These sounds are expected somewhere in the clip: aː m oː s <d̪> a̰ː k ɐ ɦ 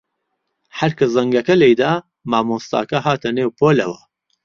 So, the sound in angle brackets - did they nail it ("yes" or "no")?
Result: no